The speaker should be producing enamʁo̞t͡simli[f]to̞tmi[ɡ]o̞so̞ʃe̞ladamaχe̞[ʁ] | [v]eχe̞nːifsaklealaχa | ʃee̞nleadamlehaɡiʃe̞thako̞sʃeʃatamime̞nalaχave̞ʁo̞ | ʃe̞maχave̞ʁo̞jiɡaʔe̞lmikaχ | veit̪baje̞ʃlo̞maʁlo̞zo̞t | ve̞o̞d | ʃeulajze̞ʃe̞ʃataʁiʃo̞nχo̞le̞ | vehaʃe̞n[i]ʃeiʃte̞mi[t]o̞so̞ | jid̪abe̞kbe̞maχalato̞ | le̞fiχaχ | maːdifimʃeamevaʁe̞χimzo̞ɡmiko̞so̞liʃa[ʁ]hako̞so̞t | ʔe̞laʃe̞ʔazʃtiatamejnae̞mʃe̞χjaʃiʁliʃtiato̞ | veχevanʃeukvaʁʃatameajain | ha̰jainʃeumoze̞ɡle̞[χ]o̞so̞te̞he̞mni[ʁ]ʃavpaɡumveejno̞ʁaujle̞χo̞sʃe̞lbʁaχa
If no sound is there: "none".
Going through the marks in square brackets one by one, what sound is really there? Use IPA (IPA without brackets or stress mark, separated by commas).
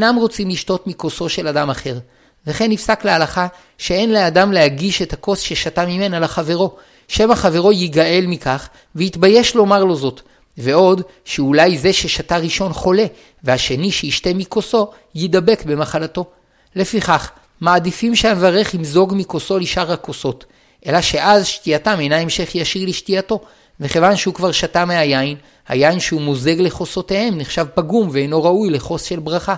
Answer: ʃ, k, ʁ, v, i, k, ʁ, χ, χ